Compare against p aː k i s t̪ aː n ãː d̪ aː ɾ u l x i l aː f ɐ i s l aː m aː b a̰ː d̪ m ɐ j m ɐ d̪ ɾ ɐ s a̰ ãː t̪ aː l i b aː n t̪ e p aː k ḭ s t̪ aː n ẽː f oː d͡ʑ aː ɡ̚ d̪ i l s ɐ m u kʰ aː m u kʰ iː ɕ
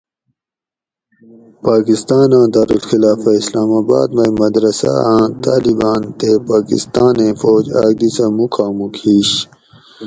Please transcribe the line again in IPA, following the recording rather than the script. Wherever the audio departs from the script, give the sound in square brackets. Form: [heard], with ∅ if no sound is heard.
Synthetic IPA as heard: p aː k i s t̪ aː n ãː d̪ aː ɾ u l x i l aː f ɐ i s l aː m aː b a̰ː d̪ m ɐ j m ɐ d̪ ɾ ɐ s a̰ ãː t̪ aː l i b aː n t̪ e p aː k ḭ s t̪ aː n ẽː f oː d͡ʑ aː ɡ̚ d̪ i [∅] s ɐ m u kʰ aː m u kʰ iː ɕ